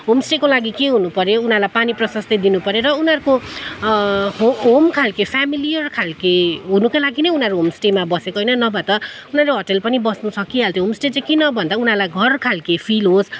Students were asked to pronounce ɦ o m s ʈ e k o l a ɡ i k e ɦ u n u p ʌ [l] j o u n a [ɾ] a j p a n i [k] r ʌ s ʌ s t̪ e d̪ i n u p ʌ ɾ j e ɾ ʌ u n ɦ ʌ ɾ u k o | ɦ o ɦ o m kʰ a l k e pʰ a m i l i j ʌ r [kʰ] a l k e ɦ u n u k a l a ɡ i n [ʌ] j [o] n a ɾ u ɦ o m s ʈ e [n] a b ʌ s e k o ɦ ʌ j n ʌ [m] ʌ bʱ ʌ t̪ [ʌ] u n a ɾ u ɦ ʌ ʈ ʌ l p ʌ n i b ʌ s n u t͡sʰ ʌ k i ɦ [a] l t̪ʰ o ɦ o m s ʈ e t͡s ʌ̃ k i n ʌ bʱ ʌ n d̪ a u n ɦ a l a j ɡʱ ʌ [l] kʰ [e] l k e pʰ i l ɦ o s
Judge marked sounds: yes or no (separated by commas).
no, no, no, yes, yes, no, no, no, yes, yes, no, no